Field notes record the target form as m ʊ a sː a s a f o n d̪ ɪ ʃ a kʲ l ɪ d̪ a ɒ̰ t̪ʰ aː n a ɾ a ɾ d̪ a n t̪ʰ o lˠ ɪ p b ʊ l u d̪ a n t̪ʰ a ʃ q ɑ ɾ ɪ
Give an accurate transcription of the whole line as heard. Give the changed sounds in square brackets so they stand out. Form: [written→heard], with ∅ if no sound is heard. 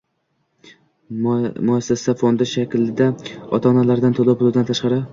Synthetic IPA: m ʊ a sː a s a f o n d̪ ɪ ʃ a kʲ l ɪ d̪ a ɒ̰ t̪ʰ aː n a [ɾ→l] a ɾ d̪ a n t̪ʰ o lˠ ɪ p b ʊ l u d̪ a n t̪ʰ a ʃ q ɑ ɾ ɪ